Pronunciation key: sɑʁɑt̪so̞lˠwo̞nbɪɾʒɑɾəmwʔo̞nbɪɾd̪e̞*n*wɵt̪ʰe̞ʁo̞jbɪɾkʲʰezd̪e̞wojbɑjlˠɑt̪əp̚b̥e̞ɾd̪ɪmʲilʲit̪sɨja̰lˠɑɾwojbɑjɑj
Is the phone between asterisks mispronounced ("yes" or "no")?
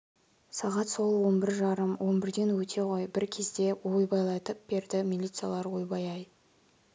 no